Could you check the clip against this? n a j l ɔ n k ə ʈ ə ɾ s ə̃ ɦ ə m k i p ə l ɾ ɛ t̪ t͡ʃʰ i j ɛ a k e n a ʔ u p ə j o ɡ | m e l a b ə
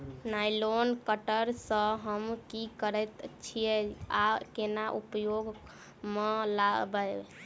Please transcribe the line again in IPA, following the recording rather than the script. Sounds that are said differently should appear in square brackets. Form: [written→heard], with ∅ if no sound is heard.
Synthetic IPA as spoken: n a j l [ɔ→o] n k ə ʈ ə ɾ s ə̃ ɦ ə m k i [p→k] ə [l→∅] ɾ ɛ t̪ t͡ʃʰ i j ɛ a k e n a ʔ u p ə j o ɡ | m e l a b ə